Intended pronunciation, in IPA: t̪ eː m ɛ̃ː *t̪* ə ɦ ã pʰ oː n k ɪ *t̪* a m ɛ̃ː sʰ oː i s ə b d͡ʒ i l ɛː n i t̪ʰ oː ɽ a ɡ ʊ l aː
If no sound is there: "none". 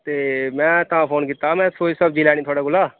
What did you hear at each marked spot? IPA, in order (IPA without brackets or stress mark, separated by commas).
t̪, t̪